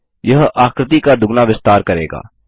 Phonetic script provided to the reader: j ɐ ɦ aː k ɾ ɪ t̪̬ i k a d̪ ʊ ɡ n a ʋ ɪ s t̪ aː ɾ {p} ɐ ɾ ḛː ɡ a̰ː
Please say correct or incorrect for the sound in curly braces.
incorrect